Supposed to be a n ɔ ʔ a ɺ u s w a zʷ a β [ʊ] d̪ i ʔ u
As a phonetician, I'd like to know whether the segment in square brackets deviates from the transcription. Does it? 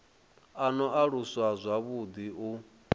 yes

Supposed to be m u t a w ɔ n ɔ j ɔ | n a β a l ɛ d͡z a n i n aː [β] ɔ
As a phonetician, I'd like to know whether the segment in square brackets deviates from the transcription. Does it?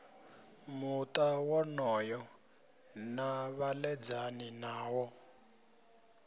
yes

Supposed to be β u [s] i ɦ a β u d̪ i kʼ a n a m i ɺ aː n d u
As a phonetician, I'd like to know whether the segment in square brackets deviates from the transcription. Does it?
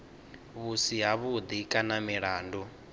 no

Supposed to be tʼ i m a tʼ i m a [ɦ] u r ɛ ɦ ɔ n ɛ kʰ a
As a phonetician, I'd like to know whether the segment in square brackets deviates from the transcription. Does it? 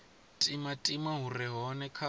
no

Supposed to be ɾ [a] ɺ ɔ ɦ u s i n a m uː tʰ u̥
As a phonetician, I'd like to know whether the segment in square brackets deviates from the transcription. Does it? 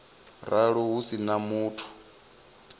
no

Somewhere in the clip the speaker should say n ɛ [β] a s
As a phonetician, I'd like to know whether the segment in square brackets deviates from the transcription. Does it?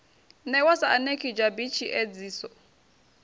yes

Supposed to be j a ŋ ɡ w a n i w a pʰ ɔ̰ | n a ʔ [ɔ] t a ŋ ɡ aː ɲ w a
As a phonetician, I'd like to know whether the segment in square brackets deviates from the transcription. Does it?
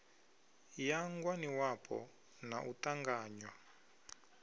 yes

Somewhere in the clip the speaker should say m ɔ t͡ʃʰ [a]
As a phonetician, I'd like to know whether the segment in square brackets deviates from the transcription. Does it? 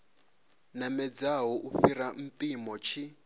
yes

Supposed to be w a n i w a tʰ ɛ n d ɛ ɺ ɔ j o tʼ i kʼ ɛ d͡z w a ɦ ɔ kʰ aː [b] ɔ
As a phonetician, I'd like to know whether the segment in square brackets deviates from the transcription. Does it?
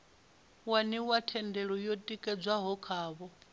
yes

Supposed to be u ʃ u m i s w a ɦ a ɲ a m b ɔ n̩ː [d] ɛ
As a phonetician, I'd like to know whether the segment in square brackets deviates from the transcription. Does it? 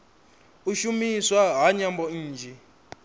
yes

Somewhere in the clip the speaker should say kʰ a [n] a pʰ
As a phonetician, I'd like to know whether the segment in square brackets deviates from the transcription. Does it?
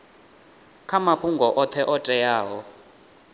yes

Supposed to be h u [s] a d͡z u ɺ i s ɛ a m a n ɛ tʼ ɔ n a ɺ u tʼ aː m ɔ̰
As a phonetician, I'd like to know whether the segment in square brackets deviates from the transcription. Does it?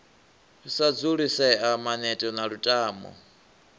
no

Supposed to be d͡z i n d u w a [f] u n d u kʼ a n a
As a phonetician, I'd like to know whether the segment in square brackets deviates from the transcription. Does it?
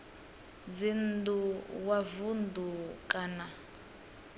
yes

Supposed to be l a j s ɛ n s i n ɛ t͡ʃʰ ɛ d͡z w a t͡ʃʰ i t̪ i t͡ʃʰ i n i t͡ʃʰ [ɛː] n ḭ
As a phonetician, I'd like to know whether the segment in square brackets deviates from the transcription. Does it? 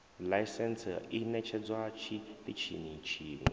yes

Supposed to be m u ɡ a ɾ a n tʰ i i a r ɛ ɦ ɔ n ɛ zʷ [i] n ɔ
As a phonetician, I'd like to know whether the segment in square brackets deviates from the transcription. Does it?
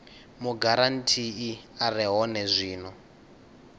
yes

